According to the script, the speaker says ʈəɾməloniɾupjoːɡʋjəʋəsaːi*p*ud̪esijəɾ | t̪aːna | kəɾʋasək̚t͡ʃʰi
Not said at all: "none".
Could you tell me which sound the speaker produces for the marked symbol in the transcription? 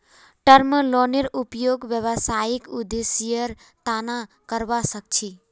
k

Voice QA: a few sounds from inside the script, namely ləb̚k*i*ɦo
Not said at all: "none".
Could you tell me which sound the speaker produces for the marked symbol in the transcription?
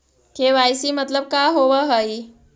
a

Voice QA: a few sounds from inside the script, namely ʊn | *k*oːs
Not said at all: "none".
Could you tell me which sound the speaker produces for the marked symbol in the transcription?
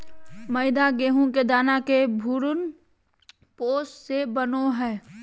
p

